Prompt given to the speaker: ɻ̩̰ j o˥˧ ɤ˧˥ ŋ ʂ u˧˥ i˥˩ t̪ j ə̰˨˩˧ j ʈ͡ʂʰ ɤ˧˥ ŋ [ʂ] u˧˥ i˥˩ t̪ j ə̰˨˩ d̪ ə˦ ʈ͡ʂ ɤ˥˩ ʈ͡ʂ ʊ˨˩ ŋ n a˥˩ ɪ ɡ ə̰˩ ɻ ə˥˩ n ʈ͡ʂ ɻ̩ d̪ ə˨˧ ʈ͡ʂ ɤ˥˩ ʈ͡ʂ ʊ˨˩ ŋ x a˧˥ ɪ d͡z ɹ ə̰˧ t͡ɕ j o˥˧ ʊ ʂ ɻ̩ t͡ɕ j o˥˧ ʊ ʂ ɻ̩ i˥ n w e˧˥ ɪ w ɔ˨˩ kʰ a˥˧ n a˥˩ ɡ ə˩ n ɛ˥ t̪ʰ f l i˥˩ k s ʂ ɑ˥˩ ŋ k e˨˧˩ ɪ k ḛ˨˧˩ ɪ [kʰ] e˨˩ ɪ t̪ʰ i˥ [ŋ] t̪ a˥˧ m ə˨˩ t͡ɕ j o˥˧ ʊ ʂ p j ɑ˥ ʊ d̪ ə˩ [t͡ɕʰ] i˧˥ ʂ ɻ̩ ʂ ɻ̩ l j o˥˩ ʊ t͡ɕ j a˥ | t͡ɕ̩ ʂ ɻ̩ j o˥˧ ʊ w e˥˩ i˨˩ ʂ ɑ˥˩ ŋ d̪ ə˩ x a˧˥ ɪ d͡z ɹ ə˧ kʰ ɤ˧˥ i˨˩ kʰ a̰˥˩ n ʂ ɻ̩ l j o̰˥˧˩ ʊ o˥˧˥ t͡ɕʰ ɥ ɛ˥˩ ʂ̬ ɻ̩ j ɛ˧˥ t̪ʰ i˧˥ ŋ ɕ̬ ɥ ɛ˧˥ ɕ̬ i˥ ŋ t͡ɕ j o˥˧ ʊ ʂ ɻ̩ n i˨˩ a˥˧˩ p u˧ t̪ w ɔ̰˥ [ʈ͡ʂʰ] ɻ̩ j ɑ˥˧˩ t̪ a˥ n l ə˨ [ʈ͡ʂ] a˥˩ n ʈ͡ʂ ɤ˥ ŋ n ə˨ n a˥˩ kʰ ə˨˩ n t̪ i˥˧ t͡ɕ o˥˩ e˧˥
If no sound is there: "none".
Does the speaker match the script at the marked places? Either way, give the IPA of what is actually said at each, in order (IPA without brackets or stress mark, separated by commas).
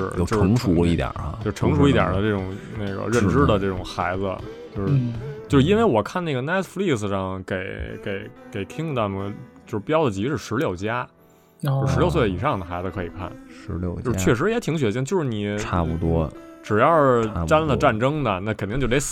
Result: ʂ, k, ŋ, t͡ɕ, ʈ͡ʂ, ʈ͡ʂ